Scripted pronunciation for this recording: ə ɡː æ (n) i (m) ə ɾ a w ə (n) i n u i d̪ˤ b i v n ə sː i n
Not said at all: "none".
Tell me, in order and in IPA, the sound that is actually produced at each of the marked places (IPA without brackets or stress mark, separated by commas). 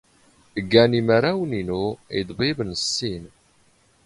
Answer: n, m, n